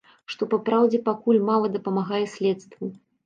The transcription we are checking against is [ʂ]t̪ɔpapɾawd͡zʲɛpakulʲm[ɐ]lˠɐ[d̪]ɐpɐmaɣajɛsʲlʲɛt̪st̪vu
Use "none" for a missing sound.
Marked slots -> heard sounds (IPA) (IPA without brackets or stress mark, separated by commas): ʂ, a, d̪